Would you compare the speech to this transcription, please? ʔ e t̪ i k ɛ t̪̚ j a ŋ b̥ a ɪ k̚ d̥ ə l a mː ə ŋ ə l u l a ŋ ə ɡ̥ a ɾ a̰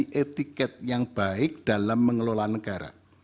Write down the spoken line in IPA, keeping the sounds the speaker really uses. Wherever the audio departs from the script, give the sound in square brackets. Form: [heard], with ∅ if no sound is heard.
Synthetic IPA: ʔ e t̪ i k ɛ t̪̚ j a ŋ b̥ a ɪ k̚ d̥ [a] l a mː ə ŋ ə l [o] l a [n] ə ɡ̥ a ɾ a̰